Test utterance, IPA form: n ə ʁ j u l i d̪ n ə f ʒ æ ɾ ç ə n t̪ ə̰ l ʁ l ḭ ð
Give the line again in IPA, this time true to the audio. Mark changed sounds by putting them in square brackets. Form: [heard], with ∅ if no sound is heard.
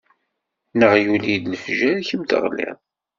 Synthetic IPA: n ə ʁ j u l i d̪ n ə f ʒ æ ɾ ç ə [m] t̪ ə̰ [∅] ʁ l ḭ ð